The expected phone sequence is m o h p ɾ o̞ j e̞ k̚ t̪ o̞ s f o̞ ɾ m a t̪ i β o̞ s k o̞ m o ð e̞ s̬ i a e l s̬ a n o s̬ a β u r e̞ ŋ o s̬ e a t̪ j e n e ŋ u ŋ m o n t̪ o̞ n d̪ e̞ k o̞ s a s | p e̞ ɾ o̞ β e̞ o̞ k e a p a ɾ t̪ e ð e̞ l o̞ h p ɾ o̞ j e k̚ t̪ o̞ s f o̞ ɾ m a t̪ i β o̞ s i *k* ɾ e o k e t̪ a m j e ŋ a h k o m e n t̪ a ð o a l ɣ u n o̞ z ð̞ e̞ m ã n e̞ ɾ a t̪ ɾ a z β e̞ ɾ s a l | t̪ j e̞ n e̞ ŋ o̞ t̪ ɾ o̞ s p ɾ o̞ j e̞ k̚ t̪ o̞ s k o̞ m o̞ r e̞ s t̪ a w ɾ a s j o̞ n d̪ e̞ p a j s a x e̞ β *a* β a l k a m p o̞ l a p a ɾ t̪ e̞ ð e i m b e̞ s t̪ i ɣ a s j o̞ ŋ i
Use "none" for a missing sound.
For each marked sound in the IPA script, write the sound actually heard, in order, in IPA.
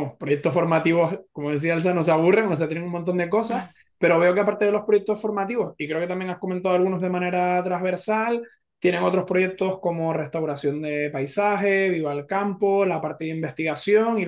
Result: k, i

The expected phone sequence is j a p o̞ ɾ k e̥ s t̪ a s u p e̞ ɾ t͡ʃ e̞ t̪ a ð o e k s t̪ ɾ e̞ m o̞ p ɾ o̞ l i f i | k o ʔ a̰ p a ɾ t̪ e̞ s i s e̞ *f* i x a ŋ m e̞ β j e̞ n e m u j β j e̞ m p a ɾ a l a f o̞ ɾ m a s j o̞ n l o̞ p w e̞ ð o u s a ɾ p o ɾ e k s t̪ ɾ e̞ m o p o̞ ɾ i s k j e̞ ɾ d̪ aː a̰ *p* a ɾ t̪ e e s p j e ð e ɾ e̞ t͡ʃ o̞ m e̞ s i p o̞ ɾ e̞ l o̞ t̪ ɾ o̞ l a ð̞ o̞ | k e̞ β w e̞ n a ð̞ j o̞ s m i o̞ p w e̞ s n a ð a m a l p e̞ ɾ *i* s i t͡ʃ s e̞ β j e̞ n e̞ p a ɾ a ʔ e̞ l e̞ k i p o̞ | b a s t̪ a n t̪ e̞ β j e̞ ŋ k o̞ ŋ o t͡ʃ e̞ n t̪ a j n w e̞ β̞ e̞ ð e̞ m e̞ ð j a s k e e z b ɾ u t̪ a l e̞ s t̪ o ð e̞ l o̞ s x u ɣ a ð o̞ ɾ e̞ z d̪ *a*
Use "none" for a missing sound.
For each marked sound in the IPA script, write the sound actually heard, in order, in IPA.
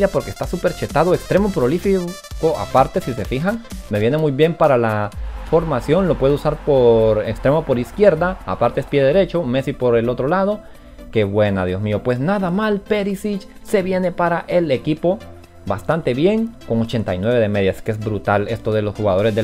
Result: f, p, i, e

